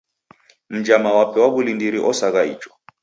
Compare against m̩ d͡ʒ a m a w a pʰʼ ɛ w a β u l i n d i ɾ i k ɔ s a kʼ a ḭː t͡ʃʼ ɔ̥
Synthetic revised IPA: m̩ d͡ʒ a m a w a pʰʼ ɛ w a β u l i n d i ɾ i ʔ ɔ s a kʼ a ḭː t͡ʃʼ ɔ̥